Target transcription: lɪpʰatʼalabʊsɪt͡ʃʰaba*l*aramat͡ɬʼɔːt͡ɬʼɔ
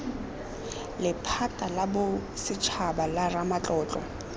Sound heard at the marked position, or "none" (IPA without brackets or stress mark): l